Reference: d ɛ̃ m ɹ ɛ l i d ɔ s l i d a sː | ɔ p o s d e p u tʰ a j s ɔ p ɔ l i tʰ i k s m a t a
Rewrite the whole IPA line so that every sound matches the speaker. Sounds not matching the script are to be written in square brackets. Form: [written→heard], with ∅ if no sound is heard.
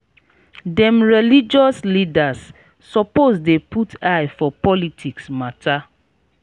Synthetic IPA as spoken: d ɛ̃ m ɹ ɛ l i [d→d͡ʒ] ɔ s l i d a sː | ɔ p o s d e p u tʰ a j [s→f] ɔ p ɔ l i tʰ i k s m a t a